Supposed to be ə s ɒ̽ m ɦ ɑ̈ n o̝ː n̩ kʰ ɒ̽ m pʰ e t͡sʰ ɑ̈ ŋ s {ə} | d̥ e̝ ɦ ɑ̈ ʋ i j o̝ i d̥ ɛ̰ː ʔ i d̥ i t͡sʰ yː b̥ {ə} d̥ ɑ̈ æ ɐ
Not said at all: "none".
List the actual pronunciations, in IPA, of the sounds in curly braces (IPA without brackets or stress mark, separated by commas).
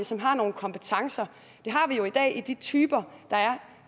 ɐ, ɐ